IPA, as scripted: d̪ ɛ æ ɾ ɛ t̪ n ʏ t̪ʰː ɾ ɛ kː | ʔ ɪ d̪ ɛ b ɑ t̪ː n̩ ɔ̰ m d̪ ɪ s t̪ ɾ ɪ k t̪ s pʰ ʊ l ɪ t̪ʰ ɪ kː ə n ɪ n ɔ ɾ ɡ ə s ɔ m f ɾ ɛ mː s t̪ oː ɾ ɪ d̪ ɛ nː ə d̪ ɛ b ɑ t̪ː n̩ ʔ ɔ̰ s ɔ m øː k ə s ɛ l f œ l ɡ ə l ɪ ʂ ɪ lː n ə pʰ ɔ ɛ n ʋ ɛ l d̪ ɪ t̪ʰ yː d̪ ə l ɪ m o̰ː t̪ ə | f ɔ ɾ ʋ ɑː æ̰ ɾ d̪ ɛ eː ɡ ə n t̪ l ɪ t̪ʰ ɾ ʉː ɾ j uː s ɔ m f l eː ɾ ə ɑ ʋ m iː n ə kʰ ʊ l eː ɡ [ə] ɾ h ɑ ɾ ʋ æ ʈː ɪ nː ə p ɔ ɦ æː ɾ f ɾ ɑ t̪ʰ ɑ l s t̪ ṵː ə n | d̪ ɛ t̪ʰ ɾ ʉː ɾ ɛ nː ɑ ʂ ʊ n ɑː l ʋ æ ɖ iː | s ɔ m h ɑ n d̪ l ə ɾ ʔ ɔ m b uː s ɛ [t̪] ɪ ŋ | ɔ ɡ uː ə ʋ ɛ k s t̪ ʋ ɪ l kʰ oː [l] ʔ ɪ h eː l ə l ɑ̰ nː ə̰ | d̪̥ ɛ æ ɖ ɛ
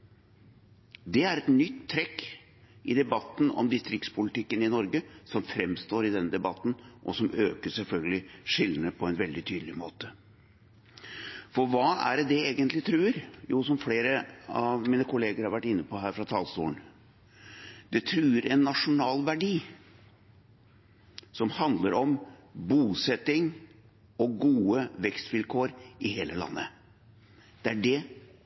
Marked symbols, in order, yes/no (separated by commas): yes, yes, no